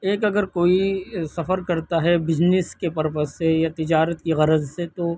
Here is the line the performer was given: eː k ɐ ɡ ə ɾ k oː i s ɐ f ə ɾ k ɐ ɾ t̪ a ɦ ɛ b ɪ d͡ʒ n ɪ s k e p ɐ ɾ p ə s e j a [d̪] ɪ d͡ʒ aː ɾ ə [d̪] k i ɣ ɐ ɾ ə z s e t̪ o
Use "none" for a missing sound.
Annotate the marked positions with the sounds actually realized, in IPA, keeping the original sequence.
t̪, t̪

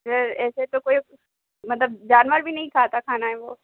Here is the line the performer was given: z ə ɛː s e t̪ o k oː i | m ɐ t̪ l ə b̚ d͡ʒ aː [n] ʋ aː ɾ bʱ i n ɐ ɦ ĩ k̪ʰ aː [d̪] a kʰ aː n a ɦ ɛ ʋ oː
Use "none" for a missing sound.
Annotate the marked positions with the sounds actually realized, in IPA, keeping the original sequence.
n, t̪

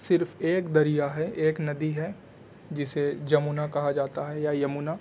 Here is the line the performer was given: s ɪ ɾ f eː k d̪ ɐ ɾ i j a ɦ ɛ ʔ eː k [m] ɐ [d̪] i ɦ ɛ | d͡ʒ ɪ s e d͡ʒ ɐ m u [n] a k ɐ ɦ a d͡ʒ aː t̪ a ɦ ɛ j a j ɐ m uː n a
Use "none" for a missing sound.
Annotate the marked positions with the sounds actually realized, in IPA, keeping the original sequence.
n, d̪, n

